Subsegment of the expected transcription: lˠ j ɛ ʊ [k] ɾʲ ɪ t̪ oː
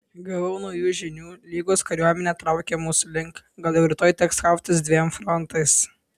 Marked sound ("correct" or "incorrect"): incorrect